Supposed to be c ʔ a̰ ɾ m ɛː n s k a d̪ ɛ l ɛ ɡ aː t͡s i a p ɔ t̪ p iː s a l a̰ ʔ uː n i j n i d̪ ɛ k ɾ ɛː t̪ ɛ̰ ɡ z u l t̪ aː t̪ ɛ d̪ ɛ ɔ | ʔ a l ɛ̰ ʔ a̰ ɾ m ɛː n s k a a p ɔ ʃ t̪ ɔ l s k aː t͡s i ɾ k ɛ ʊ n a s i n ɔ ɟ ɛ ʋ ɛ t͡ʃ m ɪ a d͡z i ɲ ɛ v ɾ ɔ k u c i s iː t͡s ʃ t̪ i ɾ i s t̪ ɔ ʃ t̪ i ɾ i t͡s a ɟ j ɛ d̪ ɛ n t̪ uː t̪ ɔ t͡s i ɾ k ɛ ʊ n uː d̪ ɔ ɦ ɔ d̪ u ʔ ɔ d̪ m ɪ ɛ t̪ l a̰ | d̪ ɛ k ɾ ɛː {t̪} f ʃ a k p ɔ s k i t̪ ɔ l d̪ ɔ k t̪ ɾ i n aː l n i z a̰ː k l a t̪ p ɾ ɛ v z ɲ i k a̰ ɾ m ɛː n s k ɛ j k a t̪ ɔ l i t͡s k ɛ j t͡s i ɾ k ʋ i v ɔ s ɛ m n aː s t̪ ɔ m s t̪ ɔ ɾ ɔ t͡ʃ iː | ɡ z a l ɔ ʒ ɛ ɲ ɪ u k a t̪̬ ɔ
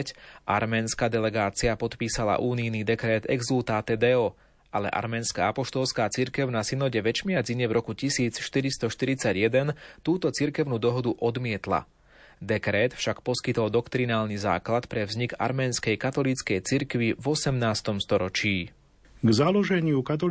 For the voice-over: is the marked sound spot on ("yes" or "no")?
yes